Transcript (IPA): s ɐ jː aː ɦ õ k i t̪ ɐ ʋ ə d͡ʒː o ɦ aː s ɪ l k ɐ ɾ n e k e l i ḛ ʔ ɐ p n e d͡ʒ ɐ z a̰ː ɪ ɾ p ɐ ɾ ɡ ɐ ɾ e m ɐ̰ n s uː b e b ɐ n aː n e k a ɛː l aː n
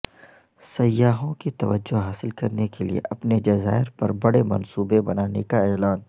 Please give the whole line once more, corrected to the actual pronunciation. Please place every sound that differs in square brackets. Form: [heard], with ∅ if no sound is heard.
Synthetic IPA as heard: s ɐ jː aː ɦ õ k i t̪ ɐ ʋ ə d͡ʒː o ɦ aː s ɪ l k ɐ ɾ n e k e l i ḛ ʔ ɐ p n e d͡ʒ ɐ z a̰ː ɪ ɾ p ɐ ɾ [b] ɐ [ɽ] e m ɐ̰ n s uː b e b ɐ n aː n e k a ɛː l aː n